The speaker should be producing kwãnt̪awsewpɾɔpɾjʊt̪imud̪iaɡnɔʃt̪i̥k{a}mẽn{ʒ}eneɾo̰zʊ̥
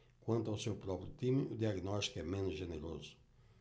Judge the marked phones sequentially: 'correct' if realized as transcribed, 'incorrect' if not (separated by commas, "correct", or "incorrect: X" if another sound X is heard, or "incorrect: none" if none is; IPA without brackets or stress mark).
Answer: incorrect: ɛ, correct